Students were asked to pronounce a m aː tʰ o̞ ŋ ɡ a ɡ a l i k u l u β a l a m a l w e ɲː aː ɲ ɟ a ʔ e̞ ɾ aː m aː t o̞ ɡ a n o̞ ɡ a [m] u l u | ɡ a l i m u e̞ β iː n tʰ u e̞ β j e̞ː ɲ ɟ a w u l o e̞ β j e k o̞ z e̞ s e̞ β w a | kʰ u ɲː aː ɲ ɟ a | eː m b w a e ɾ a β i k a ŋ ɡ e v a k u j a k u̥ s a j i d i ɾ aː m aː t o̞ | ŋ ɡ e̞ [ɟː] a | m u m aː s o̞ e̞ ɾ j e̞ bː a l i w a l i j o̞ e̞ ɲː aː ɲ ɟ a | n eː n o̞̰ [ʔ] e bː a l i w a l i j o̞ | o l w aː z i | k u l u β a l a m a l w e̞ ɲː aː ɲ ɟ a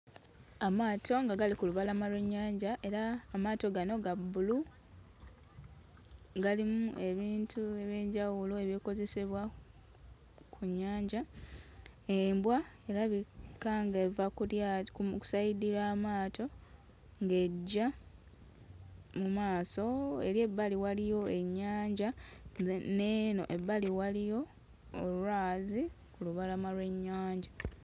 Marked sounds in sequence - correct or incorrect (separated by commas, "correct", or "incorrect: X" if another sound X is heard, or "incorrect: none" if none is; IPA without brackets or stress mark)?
incorrect: b, correct, correct